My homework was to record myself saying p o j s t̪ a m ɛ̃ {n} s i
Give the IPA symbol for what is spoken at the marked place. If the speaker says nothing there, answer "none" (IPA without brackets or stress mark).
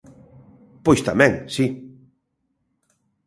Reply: ŋ